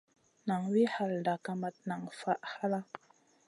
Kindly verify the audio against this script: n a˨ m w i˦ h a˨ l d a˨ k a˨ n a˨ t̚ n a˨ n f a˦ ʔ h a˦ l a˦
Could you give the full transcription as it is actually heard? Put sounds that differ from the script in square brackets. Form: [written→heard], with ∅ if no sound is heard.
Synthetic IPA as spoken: n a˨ [m→ŋ] w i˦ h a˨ l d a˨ k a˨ [n→m] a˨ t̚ n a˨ [n→ŋ] f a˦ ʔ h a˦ l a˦